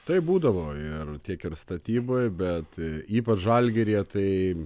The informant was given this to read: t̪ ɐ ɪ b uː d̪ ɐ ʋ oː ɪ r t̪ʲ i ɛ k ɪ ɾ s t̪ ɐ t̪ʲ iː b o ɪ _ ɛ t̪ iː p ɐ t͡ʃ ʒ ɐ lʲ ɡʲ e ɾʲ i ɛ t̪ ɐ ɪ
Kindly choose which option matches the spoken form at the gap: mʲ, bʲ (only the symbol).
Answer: bʲ